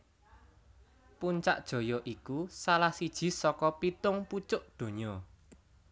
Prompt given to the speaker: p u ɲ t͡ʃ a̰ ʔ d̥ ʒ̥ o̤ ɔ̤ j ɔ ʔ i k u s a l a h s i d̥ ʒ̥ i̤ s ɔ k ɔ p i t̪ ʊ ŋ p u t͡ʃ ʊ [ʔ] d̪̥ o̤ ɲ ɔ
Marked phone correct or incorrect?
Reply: correct